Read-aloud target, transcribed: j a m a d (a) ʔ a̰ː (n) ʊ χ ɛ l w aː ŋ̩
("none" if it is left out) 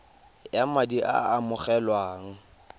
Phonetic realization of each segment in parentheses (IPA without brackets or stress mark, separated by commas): i, m